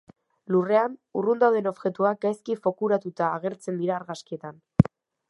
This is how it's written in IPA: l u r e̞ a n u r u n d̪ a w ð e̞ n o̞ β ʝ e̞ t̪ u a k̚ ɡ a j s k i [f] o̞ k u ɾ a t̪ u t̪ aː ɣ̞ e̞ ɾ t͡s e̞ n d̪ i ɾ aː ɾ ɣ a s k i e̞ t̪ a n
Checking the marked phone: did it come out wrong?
no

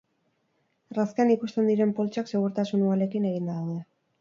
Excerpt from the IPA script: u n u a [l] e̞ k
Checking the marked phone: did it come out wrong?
no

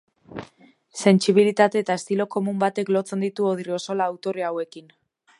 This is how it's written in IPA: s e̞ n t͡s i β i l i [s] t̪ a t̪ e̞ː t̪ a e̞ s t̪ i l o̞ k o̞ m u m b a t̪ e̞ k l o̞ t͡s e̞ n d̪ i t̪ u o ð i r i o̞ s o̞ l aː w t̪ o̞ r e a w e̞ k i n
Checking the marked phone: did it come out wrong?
yes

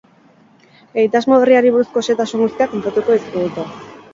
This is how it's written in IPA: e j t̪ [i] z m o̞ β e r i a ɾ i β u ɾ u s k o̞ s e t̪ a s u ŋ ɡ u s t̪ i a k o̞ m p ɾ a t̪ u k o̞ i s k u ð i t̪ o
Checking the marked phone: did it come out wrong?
yes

